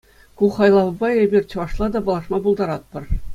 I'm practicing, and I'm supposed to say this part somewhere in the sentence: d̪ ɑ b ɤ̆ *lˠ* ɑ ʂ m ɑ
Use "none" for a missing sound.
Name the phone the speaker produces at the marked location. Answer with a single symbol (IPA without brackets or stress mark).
lˠ